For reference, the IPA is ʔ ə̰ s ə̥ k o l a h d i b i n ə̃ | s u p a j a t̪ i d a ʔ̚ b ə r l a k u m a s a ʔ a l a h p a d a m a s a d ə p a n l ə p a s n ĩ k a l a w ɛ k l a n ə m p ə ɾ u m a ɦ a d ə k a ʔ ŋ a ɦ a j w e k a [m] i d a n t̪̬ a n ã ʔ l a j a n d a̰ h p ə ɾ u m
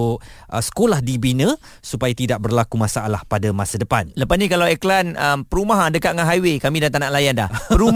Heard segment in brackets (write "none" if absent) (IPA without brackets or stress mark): m